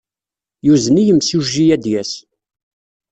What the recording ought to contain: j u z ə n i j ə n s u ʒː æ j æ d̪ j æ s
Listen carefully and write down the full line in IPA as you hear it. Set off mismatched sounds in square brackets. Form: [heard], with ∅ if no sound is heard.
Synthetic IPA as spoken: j u z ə n i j ə [m] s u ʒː [i] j æ d̪ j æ s